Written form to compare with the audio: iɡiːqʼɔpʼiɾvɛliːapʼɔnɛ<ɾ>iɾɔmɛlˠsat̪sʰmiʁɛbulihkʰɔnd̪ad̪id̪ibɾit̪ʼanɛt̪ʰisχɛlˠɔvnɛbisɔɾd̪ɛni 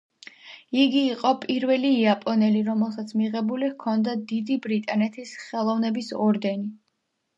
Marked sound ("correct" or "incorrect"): incorrect